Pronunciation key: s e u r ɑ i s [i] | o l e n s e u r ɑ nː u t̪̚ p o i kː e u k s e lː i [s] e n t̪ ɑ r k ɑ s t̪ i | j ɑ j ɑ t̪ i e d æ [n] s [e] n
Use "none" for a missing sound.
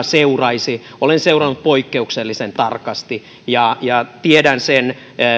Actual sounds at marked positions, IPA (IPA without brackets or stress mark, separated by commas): i, s, n, e